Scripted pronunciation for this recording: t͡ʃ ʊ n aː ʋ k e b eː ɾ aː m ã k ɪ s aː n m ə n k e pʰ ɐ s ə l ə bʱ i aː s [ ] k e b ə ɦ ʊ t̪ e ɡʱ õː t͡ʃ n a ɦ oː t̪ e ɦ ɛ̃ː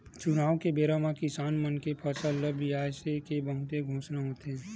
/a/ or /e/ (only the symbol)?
e